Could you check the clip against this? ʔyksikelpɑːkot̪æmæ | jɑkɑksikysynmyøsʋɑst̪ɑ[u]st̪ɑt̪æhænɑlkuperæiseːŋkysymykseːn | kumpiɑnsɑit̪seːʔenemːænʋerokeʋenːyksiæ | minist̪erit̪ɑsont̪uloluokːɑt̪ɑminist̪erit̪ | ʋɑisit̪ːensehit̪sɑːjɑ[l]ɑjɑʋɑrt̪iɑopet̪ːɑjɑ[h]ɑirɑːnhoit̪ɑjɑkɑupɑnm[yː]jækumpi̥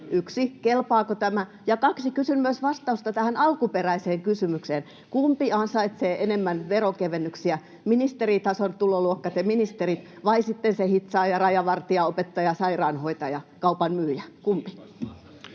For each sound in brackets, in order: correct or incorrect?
correct, incorrect: r, incorrect: s, correct

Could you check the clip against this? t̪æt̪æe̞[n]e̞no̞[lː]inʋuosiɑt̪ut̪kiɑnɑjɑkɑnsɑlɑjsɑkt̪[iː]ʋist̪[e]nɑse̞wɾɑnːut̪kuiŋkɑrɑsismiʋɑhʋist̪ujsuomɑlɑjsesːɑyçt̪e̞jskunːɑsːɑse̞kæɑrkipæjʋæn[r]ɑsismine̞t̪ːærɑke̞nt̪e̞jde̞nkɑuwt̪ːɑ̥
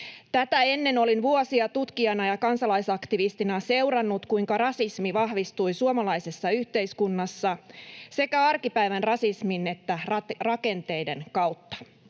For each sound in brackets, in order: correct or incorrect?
incorrect: nː, incorrect: l, incorrect: i, incorrect: i, correct

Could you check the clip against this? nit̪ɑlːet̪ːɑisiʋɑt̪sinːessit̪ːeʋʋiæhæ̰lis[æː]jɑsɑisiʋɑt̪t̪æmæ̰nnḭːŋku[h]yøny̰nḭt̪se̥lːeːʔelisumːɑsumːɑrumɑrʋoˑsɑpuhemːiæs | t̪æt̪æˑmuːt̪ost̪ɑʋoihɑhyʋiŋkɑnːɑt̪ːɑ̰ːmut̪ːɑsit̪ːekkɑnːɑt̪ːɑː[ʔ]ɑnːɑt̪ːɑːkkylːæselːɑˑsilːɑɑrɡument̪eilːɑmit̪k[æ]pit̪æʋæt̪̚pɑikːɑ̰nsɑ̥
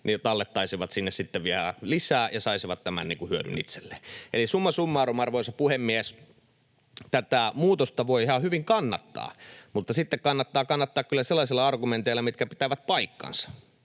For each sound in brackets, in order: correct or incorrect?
correct, correct, incorrect: k, correct

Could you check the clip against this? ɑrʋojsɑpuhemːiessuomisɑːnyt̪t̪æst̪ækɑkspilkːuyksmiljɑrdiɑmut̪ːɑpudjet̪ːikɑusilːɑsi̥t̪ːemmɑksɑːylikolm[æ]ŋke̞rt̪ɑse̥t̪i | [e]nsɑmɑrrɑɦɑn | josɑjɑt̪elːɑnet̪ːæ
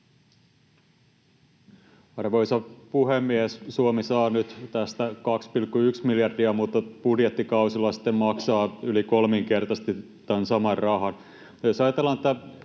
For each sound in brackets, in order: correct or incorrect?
incorrect: i, incorrect: æ

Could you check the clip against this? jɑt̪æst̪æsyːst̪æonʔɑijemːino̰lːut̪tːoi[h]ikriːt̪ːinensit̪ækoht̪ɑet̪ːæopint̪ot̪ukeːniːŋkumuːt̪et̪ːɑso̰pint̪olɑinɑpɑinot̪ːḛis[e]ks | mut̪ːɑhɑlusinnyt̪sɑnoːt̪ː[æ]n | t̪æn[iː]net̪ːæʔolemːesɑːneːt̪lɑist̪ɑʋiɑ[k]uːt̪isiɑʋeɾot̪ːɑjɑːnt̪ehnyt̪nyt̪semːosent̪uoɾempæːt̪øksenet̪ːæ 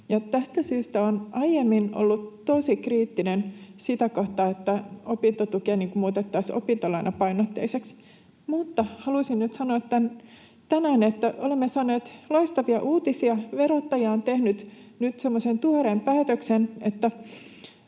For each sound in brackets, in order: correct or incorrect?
incorrect: s, correct, correct, incorrect: æː, incorrect: ʔ

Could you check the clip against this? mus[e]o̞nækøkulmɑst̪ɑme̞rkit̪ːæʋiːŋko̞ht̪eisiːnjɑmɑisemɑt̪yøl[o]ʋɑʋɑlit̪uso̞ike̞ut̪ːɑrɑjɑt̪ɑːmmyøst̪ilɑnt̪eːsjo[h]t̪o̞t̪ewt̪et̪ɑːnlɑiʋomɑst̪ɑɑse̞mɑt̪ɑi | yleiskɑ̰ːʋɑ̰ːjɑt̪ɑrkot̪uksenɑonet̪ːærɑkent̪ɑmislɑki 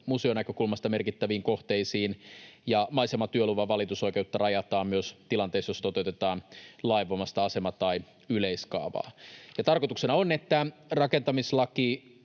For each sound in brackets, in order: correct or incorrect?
correct, incorrect: u, incorrect: s

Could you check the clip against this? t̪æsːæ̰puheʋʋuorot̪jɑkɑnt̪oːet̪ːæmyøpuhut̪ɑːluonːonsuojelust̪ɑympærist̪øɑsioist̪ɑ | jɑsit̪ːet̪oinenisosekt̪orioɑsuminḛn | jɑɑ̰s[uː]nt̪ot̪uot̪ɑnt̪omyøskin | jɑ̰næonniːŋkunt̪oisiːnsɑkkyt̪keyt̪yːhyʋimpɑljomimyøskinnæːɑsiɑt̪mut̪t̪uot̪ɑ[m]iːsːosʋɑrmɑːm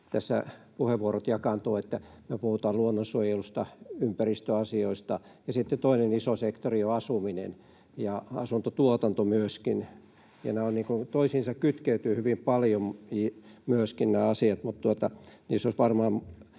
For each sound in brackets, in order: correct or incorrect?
incorrect: u, incorrect: n

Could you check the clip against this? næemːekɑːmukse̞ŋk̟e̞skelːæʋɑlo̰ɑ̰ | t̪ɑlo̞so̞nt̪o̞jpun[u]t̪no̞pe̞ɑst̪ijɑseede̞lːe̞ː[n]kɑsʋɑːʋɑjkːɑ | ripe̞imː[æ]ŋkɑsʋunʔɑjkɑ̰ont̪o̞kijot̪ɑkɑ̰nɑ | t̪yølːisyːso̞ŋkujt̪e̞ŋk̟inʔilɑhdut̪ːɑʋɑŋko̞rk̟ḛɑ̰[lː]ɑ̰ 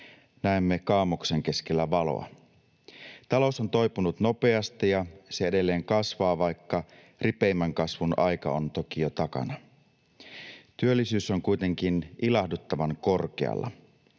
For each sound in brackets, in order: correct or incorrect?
correct, incorrect: ŋ, correct, correct

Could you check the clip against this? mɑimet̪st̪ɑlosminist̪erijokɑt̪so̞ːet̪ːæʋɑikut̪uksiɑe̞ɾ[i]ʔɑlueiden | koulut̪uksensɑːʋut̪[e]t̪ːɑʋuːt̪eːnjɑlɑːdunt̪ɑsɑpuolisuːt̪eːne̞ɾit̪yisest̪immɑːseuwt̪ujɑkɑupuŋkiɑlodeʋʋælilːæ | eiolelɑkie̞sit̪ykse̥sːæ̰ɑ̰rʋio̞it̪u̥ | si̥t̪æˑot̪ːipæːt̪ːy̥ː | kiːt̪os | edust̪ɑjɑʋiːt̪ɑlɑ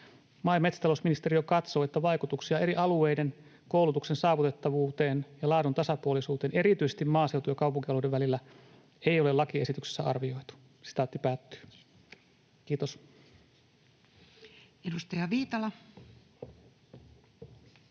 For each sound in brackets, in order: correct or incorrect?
correct, correct

